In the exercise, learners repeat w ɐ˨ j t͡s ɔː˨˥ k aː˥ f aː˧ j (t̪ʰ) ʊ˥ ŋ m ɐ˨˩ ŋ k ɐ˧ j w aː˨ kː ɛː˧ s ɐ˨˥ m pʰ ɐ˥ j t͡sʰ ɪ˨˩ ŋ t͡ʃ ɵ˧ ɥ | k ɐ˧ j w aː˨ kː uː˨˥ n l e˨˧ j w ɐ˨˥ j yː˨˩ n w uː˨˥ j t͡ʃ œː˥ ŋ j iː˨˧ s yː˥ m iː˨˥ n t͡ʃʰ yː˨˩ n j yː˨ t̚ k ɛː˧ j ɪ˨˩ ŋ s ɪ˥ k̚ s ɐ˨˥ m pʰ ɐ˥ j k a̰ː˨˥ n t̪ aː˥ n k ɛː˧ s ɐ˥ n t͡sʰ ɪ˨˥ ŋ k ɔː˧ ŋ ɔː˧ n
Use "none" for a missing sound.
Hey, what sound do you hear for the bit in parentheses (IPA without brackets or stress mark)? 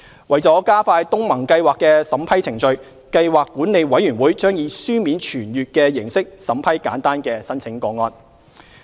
t̪